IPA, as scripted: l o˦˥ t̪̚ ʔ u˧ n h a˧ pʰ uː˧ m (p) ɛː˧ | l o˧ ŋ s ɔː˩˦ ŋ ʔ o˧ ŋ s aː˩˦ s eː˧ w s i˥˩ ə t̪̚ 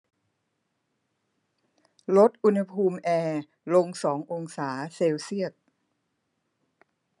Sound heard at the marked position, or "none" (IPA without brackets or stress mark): ʔ